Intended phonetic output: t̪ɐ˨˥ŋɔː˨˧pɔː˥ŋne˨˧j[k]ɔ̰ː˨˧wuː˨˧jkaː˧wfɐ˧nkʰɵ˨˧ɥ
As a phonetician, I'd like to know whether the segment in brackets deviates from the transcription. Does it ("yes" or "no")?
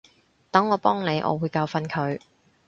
yes